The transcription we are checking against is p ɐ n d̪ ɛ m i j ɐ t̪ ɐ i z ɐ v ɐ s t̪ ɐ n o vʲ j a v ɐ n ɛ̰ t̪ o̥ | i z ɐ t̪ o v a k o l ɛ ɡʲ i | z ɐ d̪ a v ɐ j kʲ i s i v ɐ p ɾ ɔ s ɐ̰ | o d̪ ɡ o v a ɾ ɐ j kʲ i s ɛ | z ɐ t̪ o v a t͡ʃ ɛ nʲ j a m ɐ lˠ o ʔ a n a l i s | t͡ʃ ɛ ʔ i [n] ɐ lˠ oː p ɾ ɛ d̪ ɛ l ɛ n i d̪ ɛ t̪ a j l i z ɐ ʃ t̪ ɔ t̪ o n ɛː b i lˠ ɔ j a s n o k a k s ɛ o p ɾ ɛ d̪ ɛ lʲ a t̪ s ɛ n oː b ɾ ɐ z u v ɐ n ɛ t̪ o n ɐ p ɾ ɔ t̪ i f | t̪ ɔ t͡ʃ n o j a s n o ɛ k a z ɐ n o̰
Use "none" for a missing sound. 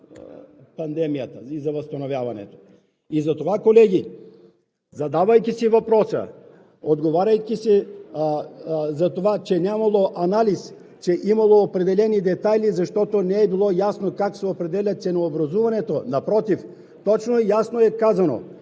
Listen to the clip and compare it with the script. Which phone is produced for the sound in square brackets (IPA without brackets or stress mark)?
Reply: m